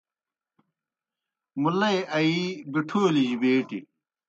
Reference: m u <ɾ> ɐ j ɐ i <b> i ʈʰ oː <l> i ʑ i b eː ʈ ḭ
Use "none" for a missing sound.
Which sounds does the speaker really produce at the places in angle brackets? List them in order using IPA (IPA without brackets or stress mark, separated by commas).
l, b, l